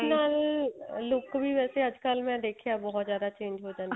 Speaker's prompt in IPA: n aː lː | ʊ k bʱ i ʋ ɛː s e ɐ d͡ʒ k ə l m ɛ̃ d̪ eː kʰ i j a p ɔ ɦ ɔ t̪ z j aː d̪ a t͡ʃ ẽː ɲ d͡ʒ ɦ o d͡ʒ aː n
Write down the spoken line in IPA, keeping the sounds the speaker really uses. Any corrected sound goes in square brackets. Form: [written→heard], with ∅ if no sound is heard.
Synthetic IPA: n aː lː | ʊ k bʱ i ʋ ɛː s e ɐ d͡ʒ k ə l m ɛ̃ d̪ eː kʰ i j a [p→b] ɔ ɦ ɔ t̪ z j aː d̪ a t͡ʃ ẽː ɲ d͡ʒ ɦ o d͡ʒ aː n